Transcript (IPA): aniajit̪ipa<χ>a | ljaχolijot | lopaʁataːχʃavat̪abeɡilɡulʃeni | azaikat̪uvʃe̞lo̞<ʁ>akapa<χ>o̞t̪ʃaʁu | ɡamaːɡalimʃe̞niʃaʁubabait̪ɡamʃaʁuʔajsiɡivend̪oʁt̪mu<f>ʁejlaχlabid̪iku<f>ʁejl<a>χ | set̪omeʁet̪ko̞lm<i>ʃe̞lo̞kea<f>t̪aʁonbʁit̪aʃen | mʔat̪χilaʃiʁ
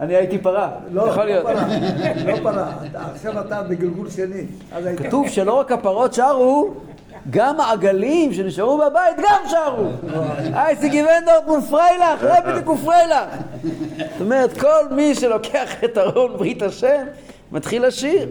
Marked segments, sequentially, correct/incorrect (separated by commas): incorrect, correct, incorrect, correct, correct, correct, correct, incorrect